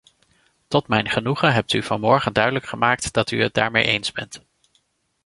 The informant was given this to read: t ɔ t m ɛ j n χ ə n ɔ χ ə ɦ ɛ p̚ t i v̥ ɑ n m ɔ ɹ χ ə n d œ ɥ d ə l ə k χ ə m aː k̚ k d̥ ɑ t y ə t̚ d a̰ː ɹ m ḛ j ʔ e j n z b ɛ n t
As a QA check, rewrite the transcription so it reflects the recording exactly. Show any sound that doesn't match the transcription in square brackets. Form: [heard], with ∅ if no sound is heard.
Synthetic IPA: t ɔ t m ɛ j n χ ə n [u] χ ə ɦ ɛ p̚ t [y] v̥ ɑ n m ɔ ɹ χ ə n d œ ɥ d ə l ə k χ ə m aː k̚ [t] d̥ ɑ t y ə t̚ d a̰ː ɹ m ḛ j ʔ e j n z b ɛ n t